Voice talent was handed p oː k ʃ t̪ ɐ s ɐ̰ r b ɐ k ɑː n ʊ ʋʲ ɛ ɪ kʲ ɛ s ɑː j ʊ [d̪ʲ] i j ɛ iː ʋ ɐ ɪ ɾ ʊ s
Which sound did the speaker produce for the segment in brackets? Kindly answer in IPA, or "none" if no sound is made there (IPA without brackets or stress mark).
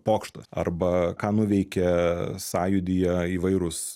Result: d̪ʲ